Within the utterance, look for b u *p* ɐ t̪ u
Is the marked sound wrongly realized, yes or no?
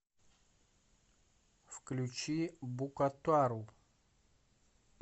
yes